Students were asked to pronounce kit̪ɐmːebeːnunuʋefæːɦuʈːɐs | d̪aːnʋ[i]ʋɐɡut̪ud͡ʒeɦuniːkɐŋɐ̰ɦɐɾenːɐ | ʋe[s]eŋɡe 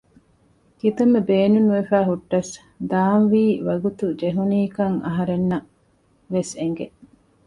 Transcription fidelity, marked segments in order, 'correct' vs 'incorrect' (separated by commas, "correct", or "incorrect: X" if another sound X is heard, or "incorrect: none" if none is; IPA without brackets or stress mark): incorrect: iː, correct